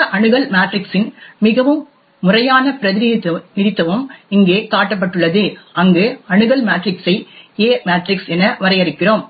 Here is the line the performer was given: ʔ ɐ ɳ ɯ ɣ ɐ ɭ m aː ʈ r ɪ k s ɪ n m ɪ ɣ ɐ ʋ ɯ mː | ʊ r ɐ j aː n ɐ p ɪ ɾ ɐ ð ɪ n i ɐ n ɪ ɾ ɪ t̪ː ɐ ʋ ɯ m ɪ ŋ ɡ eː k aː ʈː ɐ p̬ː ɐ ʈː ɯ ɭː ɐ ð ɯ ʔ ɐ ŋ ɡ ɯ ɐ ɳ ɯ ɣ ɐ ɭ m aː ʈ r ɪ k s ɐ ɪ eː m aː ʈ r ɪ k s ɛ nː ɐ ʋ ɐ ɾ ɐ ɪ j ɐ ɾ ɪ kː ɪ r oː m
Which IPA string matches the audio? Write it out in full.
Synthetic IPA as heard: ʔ ɐ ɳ ɯ ɣ ɐ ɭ m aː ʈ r ɪ k s ɪ n m ɪ ɣ ɐ ʋ ɯ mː | ʊ r ɐ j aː n ɐ p ɪ ɾ ɐ ð ɪ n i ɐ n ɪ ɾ ɪ t̪ː ɐ ʋ ɯ m ɪ ŋ ɡ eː k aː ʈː ɐ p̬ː ɐ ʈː ɯ ɭː ɐ ð ɯ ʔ ɐ ŋ ɡ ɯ ɐ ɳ ɯ ɣ ɐ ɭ m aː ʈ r ɪ k s ɐ ɪ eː m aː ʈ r ɪ k s ɛ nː ɐ ʋ ɐ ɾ ɐ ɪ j ɐ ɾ ɪ kː ɪ r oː m